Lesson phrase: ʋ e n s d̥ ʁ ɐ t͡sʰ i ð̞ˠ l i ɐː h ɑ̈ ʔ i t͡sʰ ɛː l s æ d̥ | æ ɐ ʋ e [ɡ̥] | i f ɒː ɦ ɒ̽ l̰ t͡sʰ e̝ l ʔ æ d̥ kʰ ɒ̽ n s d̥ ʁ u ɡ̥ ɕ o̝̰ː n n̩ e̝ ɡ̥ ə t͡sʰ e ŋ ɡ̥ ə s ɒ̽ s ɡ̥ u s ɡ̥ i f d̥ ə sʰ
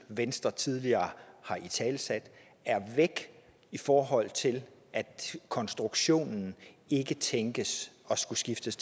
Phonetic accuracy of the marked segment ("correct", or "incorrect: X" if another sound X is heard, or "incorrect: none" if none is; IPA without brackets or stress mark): correct